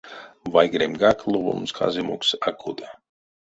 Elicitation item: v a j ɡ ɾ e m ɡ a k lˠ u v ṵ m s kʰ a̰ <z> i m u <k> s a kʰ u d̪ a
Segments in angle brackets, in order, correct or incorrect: correct, correct

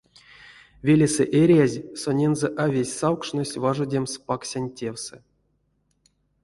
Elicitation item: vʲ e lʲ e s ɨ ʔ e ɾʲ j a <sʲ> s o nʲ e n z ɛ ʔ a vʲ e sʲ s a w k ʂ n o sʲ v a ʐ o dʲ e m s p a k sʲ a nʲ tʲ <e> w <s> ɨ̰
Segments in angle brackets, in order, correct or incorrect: incorrect: zʲ, correct, correct

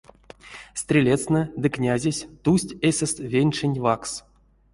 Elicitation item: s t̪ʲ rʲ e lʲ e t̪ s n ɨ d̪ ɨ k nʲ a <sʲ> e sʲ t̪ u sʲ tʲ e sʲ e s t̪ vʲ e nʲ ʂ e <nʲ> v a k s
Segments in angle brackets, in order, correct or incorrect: incorrect: zʲ, correct

